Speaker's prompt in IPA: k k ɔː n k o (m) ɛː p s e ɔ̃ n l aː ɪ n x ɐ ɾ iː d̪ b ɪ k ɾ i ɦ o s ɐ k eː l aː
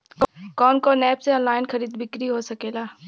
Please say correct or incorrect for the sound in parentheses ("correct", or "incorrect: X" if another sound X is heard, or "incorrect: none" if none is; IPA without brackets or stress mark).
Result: incorrect: n